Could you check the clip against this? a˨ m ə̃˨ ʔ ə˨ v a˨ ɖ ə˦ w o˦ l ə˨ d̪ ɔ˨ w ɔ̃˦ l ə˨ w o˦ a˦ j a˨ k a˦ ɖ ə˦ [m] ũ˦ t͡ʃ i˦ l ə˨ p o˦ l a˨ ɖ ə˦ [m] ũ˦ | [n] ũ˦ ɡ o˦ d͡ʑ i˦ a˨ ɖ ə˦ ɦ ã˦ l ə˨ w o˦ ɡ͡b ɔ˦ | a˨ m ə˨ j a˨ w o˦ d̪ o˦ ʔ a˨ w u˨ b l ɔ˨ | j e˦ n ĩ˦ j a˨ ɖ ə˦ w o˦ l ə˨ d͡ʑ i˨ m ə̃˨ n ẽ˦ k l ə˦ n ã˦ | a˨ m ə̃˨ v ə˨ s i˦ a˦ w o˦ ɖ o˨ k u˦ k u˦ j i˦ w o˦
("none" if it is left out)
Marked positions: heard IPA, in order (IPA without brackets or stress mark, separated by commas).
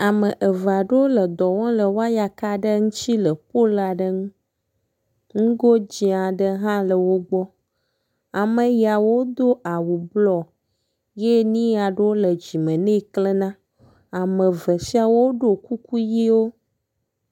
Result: ŋ, ŋ, ŋ